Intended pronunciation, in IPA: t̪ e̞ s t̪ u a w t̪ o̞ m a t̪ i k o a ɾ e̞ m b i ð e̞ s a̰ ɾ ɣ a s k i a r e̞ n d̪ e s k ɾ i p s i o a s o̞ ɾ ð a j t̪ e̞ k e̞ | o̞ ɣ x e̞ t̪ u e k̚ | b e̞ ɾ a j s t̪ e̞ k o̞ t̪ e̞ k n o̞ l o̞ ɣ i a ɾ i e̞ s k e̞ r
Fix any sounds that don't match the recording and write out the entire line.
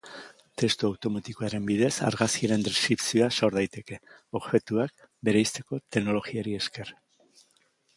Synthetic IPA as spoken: t̪ e̞ s t̪ u a w t̪ o̞ m a t̪ i k o a ɾ e̞ m b i ð e̞ s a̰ ɾ ɣ a s k i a ɾ e̞ n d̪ e s k ɾ i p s i o a s o̞ ɾ ð a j t̪ e̞ k e̞ | o̞ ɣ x e̞ t̪ u a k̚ | b e̞ ɾ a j s t̪ e̞ k o̞ t̪ e̞ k n o̞ l o̞ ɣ i a ɾ i e̞ s k e̞ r